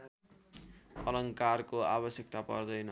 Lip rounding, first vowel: unrounded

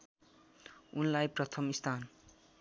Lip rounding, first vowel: rounded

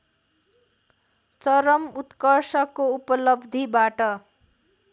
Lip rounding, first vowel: unrounded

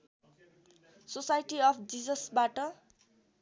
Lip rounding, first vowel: rounded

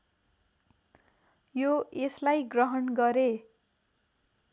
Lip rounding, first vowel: rounded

